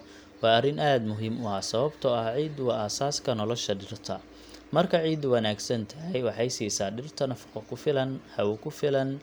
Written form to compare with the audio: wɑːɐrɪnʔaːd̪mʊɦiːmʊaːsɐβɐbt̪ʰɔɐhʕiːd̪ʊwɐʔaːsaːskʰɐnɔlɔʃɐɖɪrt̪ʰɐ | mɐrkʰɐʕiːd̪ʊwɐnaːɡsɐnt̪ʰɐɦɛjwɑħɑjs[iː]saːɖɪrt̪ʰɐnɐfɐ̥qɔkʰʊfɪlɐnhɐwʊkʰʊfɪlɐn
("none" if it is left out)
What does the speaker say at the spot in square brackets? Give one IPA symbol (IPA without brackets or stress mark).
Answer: iː